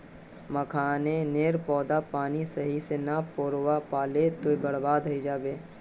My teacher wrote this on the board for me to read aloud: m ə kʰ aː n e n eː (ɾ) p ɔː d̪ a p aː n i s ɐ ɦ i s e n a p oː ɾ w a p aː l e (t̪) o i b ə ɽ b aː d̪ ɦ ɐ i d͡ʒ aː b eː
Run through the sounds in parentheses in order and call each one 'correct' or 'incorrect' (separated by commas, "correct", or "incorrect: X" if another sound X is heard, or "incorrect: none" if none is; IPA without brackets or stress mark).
correct, correct